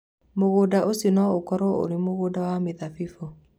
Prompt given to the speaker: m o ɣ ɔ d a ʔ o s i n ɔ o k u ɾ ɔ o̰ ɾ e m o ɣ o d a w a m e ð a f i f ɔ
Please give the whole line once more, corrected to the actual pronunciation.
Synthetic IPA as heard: m o ɣ o d a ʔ o s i n ɔ o k ɔ ɾ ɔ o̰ ɾ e m o ɣ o d a w a m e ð a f i f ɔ